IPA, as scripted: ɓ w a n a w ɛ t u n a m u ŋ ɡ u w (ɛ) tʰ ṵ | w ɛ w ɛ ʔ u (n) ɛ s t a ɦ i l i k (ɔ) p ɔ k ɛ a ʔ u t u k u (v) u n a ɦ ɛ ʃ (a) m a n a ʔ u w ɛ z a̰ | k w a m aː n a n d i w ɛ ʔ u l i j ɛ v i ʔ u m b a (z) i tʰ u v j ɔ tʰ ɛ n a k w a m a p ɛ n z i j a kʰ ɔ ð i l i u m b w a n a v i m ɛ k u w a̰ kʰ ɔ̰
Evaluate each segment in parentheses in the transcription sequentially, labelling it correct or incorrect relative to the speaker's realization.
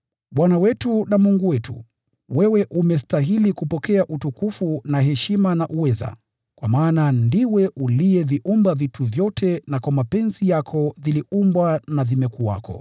correct, incorrect, incorrect, incorrect, incorrect, incorrect

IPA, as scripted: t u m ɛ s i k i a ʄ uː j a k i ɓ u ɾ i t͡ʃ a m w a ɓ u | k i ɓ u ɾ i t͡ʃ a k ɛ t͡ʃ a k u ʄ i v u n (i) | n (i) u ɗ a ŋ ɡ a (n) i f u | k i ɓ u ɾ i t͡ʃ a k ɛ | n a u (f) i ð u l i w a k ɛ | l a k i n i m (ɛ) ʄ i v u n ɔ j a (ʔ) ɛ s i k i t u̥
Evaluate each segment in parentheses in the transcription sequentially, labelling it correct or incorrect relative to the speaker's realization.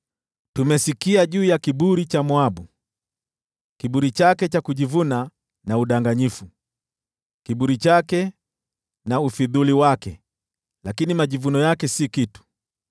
incorrect, incorrect, incorrect, correct, incorrect, incorrect

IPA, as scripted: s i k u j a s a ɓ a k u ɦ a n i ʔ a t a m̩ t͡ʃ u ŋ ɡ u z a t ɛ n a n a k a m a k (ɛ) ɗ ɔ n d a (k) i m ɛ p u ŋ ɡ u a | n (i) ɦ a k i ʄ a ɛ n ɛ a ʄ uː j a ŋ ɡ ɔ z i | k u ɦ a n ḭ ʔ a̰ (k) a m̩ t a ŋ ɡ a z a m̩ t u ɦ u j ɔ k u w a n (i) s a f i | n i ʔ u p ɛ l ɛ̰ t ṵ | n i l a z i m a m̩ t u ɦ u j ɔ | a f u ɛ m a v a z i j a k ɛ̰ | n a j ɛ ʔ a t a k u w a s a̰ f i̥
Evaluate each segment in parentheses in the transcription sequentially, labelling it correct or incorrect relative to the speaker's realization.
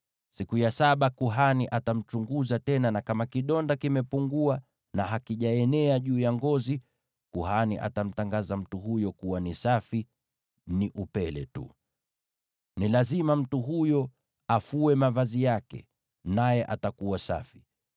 incorrect, correct, incorrect, incorrect, correct

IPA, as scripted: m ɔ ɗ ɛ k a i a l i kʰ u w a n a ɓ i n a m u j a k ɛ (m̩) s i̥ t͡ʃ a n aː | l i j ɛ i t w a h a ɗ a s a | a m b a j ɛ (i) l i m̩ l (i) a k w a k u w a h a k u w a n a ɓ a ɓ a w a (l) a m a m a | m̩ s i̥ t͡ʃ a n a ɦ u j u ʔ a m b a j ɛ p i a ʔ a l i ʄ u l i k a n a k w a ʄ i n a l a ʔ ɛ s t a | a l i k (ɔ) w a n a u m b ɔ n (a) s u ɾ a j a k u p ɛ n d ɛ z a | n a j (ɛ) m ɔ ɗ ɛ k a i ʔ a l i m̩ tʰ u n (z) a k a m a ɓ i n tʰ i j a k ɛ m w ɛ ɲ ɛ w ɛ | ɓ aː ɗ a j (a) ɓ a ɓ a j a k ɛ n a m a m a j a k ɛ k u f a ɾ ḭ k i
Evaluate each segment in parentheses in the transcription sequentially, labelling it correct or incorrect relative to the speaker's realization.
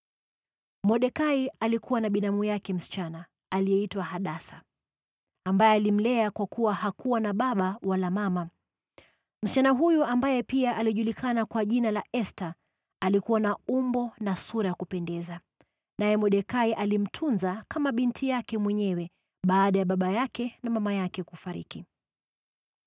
correct, incorrect, incorrect, correct, incorrect, correct, correct, correct, correct

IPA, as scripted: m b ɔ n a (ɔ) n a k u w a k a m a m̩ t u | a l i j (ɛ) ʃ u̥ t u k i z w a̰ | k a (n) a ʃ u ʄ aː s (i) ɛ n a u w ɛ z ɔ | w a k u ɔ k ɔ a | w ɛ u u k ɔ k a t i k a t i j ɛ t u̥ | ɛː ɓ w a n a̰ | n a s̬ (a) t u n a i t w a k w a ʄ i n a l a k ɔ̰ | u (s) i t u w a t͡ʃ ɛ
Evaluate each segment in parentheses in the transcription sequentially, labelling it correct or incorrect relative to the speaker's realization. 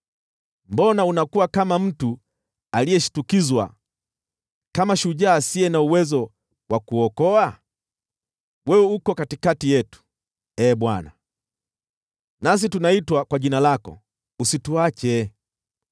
incorrect, correct, incorrect, correct, incorrect, correct

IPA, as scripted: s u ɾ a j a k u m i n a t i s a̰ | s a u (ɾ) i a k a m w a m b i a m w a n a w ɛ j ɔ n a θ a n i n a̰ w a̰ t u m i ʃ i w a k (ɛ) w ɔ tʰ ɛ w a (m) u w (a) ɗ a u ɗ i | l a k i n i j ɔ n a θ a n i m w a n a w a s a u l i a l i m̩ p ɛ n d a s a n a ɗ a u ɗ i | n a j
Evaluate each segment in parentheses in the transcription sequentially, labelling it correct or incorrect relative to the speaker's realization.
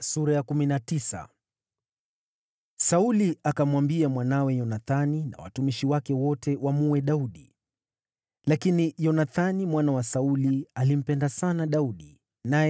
incorrect, correct, correct, incorrect

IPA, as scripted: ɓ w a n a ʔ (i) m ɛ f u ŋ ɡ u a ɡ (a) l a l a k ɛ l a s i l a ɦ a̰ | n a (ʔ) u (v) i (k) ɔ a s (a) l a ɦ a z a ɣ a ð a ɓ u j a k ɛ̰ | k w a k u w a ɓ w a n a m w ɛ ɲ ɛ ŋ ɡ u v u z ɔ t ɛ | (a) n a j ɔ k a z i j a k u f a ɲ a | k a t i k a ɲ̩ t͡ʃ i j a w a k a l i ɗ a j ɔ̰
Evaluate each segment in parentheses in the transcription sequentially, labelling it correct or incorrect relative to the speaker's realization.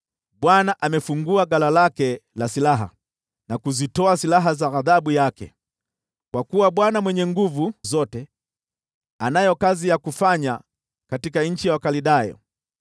incorrect, correct, incorrect, incorrect, incorrect, incorrect, correct

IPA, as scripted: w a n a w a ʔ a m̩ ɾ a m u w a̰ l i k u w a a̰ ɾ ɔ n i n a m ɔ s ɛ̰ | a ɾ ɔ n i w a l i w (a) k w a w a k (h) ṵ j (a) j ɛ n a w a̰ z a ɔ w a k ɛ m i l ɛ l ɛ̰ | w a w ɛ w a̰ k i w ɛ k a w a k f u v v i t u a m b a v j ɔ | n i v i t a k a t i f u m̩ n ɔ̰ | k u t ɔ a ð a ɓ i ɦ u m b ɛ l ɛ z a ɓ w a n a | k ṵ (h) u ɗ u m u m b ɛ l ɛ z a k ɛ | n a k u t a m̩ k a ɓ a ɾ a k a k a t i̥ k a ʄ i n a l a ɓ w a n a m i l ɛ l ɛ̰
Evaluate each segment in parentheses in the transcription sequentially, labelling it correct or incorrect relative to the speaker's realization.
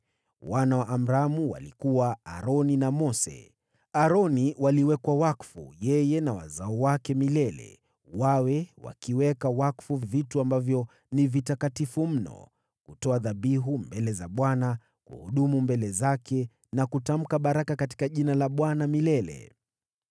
incorrect, incorrect, incorrect, correct

